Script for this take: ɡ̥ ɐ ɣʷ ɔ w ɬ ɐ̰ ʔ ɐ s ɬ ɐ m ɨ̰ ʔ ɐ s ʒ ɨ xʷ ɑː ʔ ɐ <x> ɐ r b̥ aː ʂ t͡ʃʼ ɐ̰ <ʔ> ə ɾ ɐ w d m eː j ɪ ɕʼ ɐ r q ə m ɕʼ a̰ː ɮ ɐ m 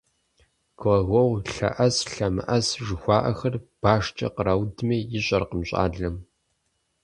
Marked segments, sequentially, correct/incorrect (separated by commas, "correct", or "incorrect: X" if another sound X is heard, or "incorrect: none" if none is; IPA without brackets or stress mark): correct, incorrect: q